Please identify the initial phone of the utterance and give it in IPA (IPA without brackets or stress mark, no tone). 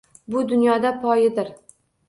b